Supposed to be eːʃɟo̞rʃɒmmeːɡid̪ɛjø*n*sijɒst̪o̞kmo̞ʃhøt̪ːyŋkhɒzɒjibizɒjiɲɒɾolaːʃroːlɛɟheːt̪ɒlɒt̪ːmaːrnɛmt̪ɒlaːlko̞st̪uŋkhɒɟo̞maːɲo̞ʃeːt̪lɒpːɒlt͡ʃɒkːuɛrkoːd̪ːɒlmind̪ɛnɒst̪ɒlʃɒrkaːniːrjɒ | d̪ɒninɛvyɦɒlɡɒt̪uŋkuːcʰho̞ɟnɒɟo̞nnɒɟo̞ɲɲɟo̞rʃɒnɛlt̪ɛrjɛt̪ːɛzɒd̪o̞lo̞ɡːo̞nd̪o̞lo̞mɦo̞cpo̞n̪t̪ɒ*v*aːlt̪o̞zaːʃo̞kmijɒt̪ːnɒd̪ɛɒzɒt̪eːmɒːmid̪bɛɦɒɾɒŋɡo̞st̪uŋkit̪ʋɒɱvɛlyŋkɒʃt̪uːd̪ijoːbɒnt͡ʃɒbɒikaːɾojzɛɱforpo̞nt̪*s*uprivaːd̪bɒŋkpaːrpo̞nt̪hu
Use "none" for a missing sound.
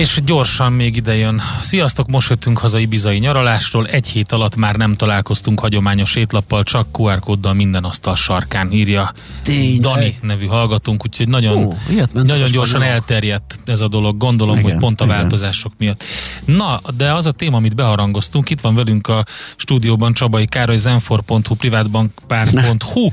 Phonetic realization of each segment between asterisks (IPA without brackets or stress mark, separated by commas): n, v, h